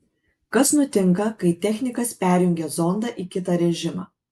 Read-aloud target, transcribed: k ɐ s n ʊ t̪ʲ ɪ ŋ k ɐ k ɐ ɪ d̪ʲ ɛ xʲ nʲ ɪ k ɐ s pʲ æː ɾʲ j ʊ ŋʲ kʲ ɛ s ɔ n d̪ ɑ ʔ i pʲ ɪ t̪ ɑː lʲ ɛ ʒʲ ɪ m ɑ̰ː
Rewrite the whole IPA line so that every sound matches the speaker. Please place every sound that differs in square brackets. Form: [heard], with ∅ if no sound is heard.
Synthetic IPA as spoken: k ɐ s n ʊ t̪ʲ ɪ ŋ k ɐ k ɐ ɪ [t̪ʲ] ɛ xʲ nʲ ɪ k ɐ s pʲ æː ɾʲ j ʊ ŋʲ [ɡʲ] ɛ [z] ɔ n d̪ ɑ ʔ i [kʲ] ɪ t̪ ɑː [ɾʲ] ɛ ʒʲ ɪ m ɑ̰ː